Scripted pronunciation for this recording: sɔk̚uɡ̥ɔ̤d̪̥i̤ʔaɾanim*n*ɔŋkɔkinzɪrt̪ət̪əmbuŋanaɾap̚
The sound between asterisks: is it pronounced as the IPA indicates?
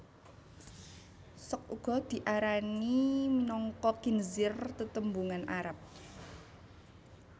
yes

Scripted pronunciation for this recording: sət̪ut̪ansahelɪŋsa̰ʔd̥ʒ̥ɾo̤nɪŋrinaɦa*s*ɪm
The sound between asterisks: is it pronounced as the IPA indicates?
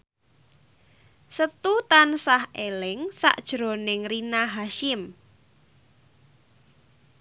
no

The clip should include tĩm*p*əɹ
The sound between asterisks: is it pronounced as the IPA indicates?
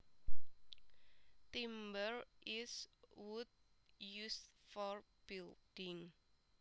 no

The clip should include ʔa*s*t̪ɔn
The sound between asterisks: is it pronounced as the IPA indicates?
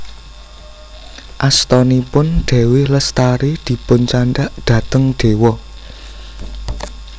yes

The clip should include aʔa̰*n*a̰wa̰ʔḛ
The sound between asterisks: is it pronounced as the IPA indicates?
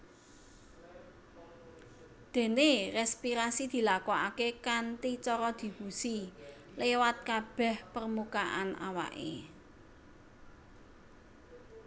yes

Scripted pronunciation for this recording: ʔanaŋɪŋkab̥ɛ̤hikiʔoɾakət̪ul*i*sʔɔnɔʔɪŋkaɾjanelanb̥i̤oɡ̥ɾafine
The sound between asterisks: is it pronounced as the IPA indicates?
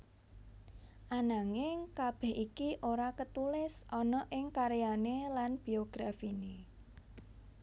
no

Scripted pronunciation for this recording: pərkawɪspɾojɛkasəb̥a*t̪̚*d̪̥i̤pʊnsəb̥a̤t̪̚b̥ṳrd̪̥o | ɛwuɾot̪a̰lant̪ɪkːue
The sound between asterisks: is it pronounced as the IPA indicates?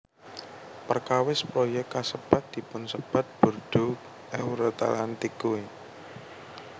yes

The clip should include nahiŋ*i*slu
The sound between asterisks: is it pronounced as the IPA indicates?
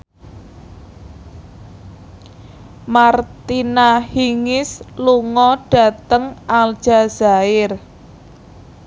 no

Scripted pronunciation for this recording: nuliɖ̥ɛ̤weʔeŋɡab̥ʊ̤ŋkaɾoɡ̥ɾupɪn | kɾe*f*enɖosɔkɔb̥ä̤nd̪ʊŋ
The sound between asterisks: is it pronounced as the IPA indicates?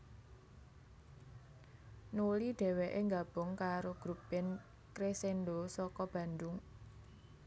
no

